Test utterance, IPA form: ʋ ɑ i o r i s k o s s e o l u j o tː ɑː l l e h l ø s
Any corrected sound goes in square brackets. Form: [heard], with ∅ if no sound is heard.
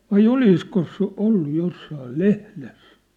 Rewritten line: ʋ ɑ i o [l] i s k o s s e o [lː] u j o [sː] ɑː l l e h l [e] s